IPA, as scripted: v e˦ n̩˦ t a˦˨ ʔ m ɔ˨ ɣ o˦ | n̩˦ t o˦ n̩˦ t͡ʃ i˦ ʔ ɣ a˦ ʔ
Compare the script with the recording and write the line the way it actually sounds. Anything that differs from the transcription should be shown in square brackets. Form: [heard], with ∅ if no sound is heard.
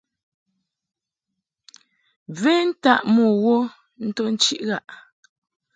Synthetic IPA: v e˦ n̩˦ t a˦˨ ʔ m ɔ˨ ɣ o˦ | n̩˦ t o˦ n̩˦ t͡ʃ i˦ ʔ ɣ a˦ ʔ